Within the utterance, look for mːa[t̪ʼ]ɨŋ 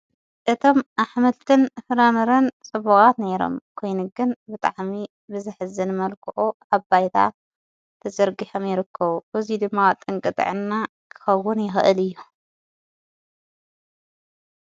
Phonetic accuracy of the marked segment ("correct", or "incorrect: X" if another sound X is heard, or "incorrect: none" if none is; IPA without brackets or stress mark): correct